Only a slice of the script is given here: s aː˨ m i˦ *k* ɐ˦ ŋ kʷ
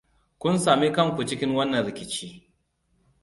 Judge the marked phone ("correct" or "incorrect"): correct